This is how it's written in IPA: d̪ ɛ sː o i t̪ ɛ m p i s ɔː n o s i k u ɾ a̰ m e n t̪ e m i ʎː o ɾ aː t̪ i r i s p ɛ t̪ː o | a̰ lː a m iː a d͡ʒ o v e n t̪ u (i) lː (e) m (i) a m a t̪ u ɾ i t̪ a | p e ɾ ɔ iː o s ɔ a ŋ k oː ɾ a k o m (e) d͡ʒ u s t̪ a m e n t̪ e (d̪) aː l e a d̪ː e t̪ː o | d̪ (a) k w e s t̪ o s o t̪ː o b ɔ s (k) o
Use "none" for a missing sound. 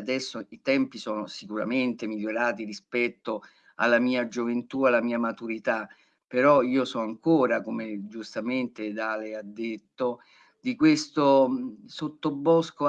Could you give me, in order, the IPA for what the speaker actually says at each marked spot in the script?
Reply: a, a, iː, e, d̪, i, k

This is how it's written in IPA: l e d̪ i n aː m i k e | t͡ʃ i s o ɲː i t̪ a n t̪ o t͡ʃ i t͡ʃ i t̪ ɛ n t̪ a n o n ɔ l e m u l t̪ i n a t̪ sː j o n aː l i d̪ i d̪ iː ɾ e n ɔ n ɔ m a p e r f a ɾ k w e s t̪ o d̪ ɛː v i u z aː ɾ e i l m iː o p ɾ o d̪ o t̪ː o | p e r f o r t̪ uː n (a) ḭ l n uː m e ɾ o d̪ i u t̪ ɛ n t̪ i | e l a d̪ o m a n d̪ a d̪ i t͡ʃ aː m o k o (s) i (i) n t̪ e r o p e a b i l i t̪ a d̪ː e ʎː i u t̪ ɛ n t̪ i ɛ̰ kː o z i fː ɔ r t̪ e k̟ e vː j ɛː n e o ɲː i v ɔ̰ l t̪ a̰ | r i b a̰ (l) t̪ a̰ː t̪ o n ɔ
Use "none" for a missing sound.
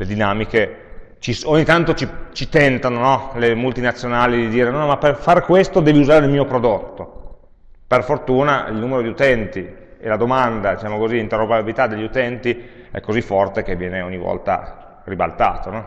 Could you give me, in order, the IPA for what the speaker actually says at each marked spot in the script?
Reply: a, z, i, l

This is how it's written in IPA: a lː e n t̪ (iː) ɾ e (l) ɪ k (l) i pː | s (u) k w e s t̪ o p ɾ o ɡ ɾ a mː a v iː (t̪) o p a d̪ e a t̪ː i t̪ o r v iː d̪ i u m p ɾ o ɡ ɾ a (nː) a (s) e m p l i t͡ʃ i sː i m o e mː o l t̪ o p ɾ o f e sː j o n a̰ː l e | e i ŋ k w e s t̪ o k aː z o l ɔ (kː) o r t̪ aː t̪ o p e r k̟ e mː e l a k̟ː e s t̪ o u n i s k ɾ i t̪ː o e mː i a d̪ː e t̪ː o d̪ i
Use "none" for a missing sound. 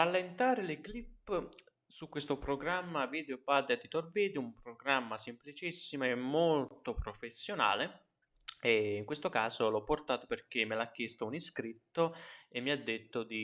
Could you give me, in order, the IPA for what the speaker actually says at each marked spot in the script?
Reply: aː, l, l, u, d̪, mː, s, pː

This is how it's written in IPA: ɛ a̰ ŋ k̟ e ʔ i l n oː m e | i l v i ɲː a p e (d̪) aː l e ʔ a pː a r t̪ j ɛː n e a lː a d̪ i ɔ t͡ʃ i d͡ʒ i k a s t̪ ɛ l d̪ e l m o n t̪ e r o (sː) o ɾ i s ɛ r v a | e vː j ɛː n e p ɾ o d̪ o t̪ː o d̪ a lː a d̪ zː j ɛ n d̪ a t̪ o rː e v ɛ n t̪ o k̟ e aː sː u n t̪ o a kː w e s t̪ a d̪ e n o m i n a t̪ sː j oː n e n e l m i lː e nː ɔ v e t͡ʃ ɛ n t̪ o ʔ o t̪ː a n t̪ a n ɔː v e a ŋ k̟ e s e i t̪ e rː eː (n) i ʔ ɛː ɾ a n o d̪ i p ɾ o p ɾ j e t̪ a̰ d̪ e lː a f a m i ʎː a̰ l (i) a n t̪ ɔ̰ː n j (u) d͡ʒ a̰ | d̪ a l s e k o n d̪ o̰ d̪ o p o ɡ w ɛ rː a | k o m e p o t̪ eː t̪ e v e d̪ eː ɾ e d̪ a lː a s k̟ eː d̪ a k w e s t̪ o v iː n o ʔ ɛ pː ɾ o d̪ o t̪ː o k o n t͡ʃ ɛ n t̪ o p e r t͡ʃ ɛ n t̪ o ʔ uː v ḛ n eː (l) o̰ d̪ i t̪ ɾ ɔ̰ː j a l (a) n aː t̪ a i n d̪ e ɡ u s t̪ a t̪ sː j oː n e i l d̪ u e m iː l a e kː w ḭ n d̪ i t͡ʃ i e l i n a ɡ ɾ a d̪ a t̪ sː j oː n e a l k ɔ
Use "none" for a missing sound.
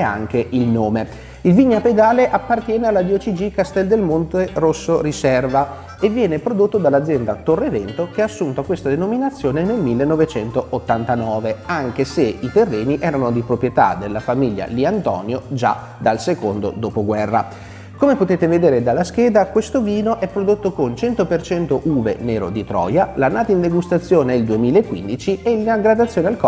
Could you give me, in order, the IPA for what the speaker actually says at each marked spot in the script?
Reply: d̪, sː, n, i, o, ɾ, a

